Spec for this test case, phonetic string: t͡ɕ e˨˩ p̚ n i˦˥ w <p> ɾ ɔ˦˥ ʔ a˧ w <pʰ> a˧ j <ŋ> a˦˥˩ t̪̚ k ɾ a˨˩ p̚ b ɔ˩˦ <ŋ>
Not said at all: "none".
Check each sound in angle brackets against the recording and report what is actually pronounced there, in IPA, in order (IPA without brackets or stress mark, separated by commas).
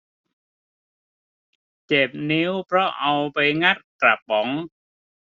pʰ, p, ŋ, ŋ